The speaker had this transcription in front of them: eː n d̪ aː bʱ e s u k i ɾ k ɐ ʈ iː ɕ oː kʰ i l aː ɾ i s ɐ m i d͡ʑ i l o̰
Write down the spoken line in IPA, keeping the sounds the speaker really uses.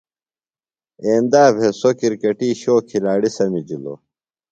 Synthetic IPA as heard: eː n d̪ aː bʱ e s o k i ɾ k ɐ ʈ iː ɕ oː kʰ i l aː ɽ i s ɐ m i d͡ʑ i l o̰